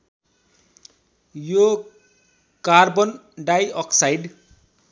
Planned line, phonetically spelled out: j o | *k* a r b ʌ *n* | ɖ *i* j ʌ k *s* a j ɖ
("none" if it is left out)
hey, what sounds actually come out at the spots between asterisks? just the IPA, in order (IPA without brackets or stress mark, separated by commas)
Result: k, n, a, s